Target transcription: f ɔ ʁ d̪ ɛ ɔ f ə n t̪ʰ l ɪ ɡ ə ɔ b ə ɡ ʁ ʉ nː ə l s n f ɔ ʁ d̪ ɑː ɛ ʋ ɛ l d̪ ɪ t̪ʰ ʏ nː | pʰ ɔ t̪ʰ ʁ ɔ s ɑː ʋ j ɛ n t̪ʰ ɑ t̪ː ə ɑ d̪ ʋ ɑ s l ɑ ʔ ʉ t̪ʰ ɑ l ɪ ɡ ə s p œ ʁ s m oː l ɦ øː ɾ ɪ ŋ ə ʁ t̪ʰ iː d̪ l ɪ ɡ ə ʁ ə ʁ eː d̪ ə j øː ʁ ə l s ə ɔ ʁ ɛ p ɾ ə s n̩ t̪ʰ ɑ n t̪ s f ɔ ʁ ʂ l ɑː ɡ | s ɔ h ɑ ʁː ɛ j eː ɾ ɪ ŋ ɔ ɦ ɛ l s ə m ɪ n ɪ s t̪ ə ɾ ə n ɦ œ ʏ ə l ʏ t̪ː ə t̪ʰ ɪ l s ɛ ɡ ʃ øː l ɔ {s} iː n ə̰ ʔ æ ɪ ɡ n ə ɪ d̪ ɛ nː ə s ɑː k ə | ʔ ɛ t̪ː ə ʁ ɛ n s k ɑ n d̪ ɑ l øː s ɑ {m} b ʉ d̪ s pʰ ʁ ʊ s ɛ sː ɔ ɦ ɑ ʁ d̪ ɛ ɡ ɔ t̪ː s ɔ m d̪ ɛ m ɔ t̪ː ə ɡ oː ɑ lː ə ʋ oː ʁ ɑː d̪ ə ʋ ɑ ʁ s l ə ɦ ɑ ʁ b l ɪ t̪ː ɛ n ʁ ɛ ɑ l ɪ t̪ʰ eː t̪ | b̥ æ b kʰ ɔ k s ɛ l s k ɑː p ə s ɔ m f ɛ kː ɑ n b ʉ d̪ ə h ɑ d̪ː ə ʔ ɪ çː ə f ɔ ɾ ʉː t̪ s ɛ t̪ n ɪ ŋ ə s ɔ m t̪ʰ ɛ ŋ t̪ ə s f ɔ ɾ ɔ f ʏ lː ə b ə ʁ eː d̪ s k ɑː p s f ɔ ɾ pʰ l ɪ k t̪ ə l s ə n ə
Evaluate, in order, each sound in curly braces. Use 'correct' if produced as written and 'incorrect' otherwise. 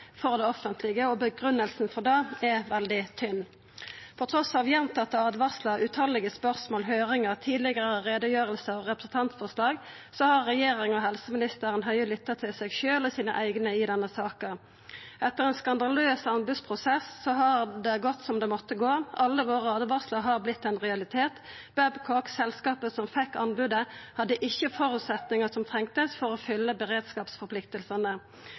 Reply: correct, incorrect

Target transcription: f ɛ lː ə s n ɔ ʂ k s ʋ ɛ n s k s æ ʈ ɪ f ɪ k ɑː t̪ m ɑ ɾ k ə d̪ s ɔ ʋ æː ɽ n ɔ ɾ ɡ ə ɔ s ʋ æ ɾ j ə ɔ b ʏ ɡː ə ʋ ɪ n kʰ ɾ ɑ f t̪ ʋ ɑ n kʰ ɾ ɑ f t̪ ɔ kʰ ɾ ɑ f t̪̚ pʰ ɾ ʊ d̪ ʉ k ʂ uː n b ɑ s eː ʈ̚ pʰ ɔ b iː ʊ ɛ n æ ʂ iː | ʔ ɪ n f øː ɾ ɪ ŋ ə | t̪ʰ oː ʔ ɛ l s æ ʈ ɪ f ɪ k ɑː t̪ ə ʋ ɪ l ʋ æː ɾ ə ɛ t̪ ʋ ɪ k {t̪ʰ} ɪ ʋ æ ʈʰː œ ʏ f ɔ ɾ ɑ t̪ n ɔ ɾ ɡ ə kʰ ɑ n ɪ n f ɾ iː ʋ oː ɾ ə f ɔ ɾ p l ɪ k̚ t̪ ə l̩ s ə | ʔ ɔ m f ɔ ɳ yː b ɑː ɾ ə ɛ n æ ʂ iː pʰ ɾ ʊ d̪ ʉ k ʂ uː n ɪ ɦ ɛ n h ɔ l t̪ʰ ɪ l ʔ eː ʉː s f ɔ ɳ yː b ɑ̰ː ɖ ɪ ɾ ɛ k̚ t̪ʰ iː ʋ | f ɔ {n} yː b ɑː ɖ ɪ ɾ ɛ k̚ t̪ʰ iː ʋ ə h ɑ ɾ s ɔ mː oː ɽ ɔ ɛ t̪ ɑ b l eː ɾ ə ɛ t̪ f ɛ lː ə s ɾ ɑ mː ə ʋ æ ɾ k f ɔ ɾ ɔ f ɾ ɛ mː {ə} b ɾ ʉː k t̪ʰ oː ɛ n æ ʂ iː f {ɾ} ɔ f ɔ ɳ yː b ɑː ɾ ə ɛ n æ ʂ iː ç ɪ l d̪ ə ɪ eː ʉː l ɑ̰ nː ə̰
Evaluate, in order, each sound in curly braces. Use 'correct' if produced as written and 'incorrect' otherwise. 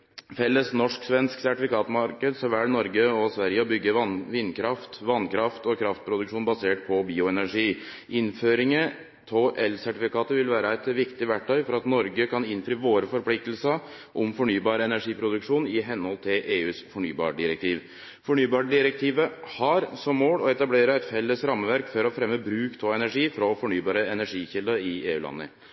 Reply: incorrect, incorrect, correct, correct

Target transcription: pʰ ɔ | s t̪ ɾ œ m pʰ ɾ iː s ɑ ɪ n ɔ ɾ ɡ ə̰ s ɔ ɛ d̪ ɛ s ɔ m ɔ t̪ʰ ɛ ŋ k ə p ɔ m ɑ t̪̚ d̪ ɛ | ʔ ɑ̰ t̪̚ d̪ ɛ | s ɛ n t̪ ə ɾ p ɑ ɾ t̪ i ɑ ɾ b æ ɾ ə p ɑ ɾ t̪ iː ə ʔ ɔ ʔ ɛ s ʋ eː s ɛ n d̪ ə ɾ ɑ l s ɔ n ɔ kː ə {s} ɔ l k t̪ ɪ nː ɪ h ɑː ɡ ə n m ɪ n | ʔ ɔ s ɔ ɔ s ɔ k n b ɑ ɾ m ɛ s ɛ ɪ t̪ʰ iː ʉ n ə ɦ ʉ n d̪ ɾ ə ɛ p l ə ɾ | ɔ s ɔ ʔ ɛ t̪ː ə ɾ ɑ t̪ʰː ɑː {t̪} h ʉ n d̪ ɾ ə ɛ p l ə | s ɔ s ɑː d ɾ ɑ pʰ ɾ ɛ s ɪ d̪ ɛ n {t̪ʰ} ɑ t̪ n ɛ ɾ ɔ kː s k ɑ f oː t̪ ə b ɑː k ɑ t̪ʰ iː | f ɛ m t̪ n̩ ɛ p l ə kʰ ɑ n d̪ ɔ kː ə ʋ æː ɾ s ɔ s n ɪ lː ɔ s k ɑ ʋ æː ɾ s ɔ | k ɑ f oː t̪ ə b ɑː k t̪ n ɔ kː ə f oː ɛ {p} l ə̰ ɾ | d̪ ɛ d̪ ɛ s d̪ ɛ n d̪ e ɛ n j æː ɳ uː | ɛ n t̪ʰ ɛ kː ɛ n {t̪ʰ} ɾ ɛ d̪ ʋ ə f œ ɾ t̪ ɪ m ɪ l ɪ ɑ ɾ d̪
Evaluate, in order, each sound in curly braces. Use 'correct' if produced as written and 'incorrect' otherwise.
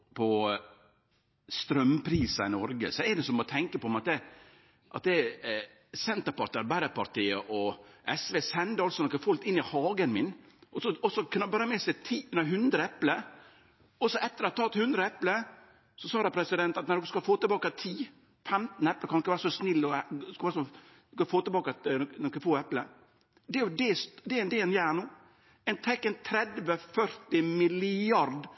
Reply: incorrect, correct, incorrect, correct, correct

